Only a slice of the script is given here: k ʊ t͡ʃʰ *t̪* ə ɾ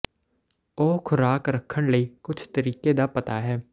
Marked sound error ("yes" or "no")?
no